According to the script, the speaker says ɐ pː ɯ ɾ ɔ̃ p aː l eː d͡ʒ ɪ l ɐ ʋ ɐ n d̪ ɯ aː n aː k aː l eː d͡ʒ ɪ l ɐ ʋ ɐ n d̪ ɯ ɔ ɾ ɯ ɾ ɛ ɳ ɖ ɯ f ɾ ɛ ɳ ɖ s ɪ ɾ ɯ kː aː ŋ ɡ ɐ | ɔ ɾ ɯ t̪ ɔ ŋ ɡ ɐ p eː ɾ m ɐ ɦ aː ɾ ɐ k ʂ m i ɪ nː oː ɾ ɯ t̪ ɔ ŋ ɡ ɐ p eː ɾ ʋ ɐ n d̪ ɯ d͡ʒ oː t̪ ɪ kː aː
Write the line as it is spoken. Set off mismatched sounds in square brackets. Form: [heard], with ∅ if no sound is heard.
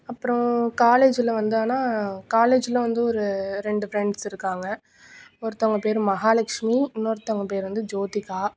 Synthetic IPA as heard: ɐ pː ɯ ɾ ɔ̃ [k] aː l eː d͡ʒ ɪ l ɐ ʋ ɐ n d̪ ɯ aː n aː k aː l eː d͡ʒ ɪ l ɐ ʋ ɐ n d̪ ɯ ɔ ɾ ɯ ɾ ɛ ɳ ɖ ɯ f ɾ ɛ ɳ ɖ s ɪ ɾ ɯ kː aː ŋ ɡ ɐ | ɔ ɾ ɯ t̪ ɔ ŋ ɡ ɐ p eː ɾ m ɐ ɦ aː [l] ɐ k ʂ m i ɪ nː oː ɾ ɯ t̪ ɔ ŋ ɡ ɐ p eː ɾ ʋ ɐ n d̪ ɯ d͡ʒ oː t̪ ɪ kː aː